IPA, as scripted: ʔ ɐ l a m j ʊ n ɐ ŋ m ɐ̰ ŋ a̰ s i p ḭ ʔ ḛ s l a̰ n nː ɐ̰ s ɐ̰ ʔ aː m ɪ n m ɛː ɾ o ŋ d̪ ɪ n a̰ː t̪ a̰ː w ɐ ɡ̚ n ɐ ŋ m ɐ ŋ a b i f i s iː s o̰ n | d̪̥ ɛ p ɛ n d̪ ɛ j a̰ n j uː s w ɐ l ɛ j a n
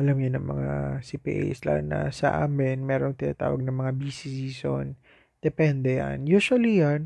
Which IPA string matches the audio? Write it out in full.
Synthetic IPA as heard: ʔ ɐ l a m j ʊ n ɐ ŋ m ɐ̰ ŋ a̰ s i p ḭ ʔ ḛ s l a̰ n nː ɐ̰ s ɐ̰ ʔ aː m ɪ n m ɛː ɾ o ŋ t̪ ɪ n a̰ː t̪ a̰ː w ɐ ɡ̚ n ɐ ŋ m ɐ ŋ a b i s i s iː s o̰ n | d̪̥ ɛ p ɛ n d̪ ɛ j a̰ n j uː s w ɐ l i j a n